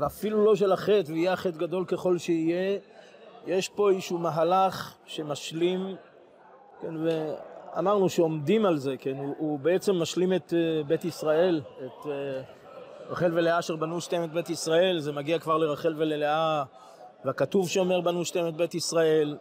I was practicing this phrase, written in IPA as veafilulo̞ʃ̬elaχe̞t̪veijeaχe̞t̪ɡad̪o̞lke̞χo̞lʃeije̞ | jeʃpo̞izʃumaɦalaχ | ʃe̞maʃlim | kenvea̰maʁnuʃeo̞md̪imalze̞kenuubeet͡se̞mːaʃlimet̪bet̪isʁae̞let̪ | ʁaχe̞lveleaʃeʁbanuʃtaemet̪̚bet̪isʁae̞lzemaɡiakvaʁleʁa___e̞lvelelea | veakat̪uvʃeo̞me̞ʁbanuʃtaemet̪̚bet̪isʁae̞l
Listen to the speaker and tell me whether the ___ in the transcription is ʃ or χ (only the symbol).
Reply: χ